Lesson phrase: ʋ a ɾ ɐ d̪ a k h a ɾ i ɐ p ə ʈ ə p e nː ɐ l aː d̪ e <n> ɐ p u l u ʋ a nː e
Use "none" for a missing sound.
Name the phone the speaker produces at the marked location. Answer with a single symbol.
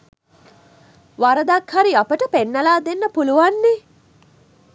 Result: nː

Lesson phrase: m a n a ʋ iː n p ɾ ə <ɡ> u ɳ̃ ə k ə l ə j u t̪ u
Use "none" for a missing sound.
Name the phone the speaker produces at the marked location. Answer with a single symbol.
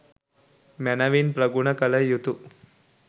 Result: ɡ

